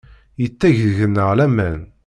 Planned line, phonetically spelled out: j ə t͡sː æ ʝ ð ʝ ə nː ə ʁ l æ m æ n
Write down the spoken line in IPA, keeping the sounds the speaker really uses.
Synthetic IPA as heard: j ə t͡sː æ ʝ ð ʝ ə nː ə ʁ l æ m æ n